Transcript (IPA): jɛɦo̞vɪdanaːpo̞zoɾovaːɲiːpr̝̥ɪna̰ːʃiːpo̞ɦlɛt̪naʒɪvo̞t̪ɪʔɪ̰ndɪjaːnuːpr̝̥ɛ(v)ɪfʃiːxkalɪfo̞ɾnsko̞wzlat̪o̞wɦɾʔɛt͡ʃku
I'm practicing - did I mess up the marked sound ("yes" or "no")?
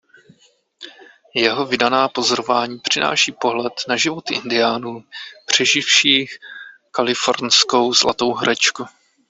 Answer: yes